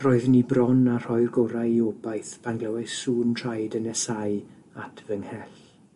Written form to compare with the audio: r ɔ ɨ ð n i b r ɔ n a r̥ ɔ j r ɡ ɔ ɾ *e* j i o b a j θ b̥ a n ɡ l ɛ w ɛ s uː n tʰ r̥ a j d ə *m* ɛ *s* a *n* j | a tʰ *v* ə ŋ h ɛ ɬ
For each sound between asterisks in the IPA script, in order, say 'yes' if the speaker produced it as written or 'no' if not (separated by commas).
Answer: no, no, yes, no, yes